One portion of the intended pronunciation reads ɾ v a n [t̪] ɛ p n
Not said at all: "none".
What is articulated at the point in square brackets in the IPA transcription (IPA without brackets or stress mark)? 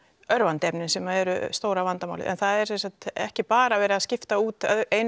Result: t̪